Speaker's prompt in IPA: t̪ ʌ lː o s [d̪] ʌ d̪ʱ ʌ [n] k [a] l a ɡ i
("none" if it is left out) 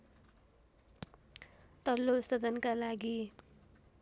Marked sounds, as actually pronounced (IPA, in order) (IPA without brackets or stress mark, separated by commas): t̪, n, a